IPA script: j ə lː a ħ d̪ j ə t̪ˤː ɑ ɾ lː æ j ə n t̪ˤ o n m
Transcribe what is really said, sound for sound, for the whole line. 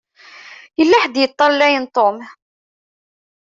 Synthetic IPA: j ə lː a ħ d̪ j ə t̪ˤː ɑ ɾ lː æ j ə n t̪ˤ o m

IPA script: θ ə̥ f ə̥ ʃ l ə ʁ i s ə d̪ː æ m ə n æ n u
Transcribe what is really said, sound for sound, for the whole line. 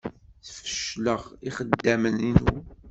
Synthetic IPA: θ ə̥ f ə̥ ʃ l ə ʁ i χ ə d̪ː æ m ə n i n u

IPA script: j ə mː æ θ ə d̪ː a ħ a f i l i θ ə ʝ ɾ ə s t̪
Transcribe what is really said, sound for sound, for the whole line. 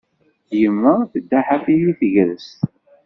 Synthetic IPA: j ə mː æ θ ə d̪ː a ħ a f i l i θ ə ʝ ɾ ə s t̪

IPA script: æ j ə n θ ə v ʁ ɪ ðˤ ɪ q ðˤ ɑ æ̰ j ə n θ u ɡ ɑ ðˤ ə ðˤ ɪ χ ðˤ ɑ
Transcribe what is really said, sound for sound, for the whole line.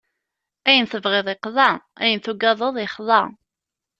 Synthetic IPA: æ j ə n θ ə v ʁ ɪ ðˤ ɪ q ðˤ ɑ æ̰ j ə n θ u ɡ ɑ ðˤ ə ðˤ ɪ χ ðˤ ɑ

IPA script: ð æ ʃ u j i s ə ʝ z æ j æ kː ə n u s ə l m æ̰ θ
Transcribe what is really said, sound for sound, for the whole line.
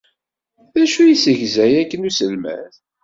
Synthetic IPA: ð æ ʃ u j i s ə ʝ z æ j æ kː ə n u s ə l m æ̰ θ

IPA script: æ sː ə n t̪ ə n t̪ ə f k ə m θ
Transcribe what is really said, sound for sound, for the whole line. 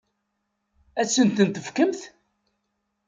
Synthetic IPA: æ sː ə n t̪ ə n t̪ ə f k ə m θ

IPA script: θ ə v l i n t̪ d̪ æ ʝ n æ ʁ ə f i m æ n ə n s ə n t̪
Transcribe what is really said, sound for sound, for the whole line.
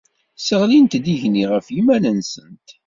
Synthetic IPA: s ə ʁ l i n t̪ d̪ i ʝ n i ʁ ə f i m æ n ə n s ə n t̪

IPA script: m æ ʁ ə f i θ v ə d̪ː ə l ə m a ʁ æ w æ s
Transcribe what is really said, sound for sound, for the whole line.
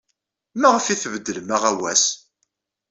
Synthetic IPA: m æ ʁ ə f i θ v ə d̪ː ə l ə m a ʁ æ w æ s

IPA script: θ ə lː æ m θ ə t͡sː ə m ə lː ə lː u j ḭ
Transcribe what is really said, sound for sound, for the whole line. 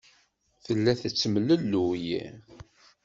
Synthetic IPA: θ ə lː æ θ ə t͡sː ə m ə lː ə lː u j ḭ

